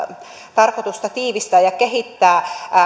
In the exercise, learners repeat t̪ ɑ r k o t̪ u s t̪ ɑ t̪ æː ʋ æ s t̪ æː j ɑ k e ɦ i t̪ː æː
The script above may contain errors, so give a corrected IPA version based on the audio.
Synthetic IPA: t̪ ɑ r k o t̪ u s t̪ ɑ t̪ iː ʋ i s t̪ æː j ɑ k e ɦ i t̪ː æː